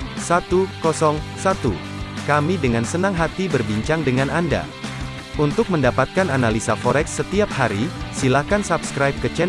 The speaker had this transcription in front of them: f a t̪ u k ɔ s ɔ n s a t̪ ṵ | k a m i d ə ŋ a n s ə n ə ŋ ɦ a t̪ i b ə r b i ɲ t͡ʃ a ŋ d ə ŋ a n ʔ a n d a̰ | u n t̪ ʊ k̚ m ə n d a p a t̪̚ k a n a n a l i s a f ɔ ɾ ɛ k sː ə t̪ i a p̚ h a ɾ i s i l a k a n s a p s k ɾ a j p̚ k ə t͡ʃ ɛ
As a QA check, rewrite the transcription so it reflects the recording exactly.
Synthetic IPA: s a t̪ u k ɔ s ɔ ŋ s a t̪ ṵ | k a m i d ə ŋ a n s ə n a ŋ ɦ a t̪ i b ə r b i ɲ t͡ʃ a ŋ d ə ŋ a n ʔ a n d a̰ | u n t̪ ʊ k̚ m ə n d a p a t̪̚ k a n a n a l i s a f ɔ ɾ ɛ k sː ə t̪ i a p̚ h a ɾ i s i l a k a n s a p s k ɾ a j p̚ k ə t͡ʃ ɛ